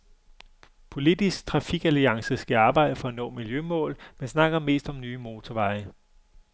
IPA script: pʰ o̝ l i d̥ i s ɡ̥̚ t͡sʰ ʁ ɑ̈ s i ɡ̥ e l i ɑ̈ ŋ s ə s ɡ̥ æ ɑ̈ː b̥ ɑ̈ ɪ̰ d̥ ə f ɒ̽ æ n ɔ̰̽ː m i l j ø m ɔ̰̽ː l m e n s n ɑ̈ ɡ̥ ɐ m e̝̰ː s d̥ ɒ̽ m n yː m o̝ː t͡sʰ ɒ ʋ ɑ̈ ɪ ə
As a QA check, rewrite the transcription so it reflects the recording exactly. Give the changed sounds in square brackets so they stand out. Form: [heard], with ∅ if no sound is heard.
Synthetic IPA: pʰ o̝ l i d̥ i s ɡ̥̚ t͡sʰ ʁ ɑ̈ [f] i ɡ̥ [æ] l i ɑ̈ ŋ s ə s ɡ̥ æ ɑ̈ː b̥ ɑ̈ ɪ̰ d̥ ə f ɒ̽ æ n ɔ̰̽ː m i l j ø m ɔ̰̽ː l m e n s n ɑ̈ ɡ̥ ɐ m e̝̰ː s d̥ ɒ̽ m n yː m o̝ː t͡sʰ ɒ ʋ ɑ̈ ɪ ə

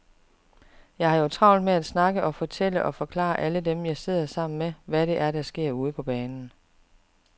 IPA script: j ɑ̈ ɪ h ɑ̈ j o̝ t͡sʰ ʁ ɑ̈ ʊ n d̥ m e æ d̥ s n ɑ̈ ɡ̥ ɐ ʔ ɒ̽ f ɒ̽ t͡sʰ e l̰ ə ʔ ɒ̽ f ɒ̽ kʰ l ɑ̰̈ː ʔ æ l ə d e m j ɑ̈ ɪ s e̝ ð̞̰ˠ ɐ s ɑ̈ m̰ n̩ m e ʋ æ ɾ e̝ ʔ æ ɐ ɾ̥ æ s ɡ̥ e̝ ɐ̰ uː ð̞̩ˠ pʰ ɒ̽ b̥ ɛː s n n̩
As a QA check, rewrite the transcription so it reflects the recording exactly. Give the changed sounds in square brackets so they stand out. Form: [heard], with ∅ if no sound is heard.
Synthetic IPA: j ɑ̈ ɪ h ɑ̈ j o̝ t͡sʰ ʁ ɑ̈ ʊ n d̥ m e æ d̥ s n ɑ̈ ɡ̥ [ə] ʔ ɒ̽ f ɒ̽ t͡sʰ e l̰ ə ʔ ɒ̽ f ɒ̽ kʰ l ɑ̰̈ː ʔ æ l ə d e m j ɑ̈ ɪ s e̝ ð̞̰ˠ ɐ s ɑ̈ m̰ n̩ m e ʋ æ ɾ e̝ ʔ æ ɐ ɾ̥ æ s ɡ̥ e̝ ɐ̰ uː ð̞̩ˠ pʰ ɒ̽ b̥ ɛː [∅] n n̩

